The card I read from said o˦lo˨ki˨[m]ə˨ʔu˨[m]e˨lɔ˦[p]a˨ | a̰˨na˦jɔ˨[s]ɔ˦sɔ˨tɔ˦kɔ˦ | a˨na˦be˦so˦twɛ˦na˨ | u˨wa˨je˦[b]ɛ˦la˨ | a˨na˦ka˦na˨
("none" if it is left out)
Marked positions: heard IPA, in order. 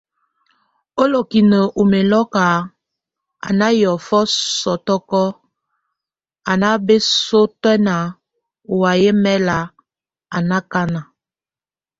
n, m, k, f, m

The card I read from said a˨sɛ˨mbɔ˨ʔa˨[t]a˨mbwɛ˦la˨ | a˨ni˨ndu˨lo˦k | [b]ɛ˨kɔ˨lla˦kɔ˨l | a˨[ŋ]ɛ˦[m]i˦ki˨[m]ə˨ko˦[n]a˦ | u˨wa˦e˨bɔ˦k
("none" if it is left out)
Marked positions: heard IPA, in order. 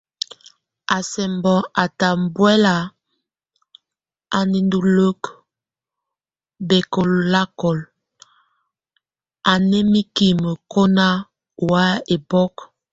t, b, n, m, m, n

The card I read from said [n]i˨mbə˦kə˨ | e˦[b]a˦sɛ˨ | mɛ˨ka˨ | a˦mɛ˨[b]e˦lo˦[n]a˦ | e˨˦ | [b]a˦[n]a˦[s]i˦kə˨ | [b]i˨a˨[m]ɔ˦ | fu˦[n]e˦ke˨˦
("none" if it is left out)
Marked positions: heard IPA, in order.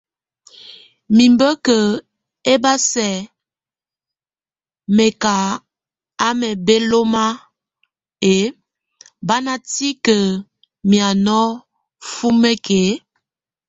m, b, b, m, b, n, t, m, n, m

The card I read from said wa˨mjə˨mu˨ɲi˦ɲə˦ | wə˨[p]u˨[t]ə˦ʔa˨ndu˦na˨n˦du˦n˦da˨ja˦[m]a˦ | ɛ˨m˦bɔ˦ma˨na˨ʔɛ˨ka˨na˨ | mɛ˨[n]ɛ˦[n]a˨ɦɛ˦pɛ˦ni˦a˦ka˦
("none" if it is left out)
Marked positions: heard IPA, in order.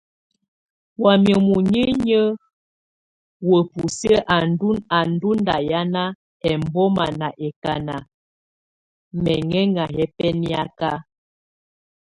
p, s, n, ŋ, ŋ

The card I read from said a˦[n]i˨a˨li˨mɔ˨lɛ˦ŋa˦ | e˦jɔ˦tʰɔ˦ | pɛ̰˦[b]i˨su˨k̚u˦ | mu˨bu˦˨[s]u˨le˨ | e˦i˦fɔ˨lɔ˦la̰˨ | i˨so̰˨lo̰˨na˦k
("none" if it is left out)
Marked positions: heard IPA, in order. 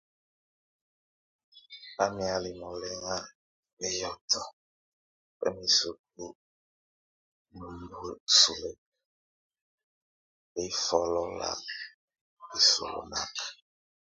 m, m, s

